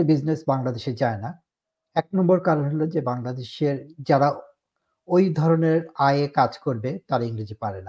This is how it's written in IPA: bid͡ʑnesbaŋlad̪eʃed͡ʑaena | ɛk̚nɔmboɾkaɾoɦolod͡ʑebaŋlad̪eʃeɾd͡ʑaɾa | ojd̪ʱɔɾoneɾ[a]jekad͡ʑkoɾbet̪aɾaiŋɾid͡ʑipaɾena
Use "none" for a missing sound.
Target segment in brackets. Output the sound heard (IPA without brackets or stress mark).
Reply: a